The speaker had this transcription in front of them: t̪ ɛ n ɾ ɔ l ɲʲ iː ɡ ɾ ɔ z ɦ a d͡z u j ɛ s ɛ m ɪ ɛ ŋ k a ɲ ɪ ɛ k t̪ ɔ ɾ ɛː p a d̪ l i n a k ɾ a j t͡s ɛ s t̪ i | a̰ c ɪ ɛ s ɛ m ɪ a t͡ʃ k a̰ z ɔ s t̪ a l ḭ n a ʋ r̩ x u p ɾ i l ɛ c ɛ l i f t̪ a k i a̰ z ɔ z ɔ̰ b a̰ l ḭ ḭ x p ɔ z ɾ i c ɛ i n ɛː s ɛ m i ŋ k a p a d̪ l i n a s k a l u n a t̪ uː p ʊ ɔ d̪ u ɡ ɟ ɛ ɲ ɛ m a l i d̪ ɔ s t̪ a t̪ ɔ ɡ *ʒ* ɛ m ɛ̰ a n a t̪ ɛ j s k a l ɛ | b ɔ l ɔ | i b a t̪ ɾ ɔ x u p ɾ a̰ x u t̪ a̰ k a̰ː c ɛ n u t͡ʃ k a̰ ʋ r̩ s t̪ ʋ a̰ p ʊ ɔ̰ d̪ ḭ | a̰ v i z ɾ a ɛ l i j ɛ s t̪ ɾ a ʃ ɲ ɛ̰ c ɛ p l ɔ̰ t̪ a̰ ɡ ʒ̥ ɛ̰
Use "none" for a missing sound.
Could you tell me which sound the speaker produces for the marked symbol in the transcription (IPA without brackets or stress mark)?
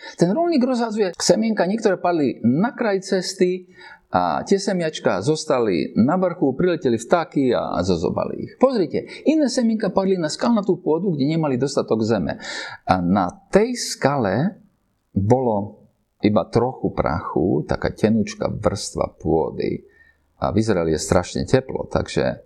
z